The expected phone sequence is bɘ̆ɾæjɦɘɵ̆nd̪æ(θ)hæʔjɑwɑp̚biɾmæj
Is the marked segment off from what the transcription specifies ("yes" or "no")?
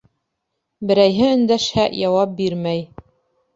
yes